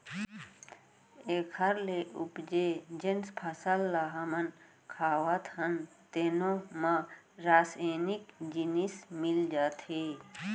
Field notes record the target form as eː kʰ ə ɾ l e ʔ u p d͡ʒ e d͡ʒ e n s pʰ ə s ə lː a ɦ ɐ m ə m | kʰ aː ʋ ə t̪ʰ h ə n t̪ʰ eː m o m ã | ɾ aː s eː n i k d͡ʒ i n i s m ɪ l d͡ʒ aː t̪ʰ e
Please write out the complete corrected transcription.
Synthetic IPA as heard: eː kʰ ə ɾ l e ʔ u p d͡ʒ e d͡ʒ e n s pʰ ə s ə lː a ɦ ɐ m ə n | kʰ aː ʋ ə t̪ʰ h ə n t̪ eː n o m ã | ɾ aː s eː n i k d͡ʒ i n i s m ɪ l d͡ʒ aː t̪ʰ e